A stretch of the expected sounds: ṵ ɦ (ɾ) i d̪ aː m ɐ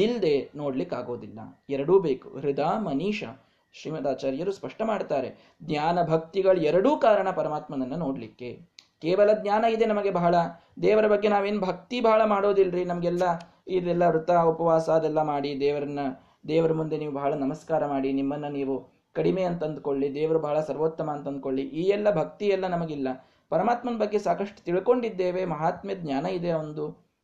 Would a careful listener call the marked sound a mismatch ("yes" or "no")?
no